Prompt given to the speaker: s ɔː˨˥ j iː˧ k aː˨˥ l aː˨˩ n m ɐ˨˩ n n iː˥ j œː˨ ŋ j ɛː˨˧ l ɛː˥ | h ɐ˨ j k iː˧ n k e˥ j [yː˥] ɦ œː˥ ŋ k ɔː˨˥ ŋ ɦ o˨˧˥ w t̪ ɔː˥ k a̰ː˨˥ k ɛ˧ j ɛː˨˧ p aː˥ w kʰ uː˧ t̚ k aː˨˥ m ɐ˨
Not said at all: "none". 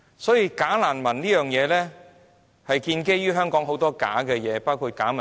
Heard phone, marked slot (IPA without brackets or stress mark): yː˥